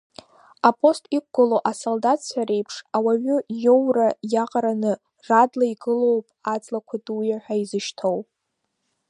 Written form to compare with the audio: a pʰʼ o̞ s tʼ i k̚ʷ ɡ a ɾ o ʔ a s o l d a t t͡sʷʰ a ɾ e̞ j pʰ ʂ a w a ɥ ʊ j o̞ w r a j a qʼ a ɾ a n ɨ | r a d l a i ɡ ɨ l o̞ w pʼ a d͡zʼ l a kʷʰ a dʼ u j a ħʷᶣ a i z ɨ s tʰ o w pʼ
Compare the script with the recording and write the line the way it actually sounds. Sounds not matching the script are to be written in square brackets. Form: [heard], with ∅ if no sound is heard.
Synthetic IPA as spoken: a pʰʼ o̞ s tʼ i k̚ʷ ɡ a [l] o ʔ a s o l d a t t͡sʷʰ a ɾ e̞ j pʰ ʂ a w a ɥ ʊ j o̞ w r a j a qʼ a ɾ a n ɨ | r a d l a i ɡ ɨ l o̞ w pʼ a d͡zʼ l a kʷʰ a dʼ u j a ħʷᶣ a i z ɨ [ʃ] tʰ o w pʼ